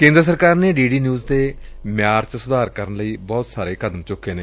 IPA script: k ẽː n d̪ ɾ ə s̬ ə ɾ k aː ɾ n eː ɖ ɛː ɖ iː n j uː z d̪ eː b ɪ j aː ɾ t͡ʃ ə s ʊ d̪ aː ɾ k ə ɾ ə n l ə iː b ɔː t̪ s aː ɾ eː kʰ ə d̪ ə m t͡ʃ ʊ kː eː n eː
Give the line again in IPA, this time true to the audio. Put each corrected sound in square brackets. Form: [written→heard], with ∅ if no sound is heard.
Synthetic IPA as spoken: k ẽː n d̪ ɾ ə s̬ ə ɾ k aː ɾ n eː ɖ [ɛː→iː] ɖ iː n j uː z d̪ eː [b→m] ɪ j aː ɾ t͡ʃ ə s ʊ d̪ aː ɾ k ə ɾ ə n l ə iː b ɔː t̪ s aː ɾ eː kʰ ə d̪ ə m t͡ʃ ʊ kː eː n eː